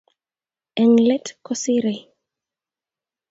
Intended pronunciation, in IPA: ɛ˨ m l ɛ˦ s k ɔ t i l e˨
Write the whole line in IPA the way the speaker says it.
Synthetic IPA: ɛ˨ ŋ l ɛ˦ t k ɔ s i ɾ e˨